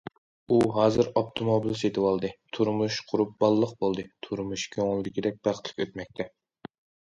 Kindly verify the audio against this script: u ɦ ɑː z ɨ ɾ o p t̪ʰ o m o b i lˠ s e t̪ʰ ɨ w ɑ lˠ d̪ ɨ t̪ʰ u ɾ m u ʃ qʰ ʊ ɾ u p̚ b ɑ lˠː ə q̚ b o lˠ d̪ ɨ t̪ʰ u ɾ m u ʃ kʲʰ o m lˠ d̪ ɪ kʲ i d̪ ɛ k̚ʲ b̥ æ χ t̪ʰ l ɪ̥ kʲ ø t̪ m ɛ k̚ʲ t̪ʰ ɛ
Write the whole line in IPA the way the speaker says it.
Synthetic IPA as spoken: u ɦ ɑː z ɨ ɾ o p t̪ʰ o m o b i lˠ s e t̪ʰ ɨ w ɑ lˠ d̪ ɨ t̪ʰ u ɾ m u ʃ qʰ ʊ ɾ u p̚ b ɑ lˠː ə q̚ b o lˠ d̪ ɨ t̪ʰ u ɾ m u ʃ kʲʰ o ŋ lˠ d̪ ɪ kʲ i d̪ ɛ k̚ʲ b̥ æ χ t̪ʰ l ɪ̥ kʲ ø t̪ m ɛ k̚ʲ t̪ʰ ɛ